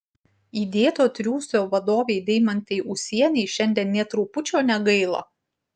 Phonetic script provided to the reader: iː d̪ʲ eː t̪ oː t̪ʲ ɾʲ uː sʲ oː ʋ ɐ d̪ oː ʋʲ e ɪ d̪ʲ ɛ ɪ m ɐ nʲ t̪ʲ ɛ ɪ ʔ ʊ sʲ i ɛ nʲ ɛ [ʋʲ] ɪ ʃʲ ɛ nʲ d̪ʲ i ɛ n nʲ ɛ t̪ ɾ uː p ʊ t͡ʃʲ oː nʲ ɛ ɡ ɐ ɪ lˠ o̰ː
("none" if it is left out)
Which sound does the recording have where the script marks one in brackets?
none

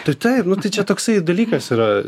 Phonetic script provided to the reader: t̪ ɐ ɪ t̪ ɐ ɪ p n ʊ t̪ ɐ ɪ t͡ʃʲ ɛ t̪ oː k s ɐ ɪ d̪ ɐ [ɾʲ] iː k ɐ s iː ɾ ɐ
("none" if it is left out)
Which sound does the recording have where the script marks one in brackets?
lʲ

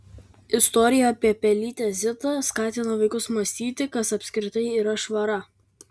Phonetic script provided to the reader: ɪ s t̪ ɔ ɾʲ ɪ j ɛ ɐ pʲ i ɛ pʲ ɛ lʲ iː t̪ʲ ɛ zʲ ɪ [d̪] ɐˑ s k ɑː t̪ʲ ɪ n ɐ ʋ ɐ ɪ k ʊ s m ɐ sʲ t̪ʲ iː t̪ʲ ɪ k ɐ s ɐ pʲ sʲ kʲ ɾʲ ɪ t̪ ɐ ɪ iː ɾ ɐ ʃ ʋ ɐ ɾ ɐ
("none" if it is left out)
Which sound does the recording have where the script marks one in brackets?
t̪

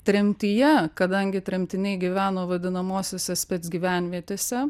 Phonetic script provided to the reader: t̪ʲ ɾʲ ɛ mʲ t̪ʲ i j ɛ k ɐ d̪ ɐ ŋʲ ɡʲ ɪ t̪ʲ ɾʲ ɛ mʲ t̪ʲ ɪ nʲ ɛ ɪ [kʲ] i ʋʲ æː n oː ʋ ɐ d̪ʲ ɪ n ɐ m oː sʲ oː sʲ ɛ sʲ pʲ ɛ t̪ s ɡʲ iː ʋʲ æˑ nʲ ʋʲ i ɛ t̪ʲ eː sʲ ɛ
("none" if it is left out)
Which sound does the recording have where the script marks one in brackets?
ɡʲ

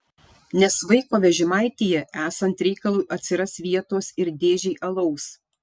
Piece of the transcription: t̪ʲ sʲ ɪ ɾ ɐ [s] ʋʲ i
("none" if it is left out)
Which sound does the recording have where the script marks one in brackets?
s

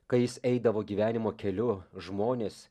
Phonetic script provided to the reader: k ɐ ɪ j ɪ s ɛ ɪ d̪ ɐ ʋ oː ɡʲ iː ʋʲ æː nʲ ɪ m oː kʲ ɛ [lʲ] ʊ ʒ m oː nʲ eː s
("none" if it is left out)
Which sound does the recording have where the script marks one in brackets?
lʲ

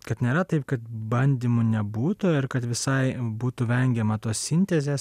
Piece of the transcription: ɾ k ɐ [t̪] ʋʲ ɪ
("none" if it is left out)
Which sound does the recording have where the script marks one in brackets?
t̪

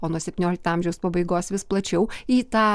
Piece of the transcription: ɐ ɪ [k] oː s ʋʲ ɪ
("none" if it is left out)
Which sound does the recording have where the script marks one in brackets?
ɡ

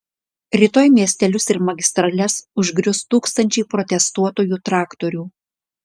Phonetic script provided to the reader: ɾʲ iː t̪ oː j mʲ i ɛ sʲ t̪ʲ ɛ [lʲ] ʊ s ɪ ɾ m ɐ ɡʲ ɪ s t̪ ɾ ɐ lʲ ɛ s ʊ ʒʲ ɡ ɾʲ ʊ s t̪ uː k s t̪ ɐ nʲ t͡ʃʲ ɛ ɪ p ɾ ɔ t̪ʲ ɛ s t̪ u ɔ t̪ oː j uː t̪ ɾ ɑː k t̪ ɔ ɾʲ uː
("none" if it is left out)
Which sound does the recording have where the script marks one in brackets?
lʲ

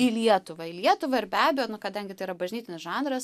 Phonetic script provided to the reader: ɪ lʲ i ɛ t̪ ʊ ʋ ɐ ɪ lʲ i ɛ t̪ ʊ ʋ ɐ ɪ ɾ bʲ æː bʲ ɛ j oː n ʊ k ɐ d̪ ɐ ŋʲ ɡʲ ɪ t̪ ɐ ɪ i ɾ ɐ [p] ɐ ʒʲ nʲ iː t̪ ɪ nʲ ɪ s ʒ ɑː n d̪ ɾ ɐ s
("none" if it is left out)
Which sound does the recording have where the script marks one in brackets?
b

